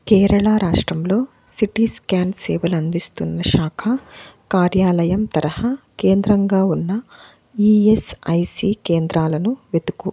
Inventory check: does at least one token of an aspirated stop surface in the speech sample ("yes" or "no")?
yes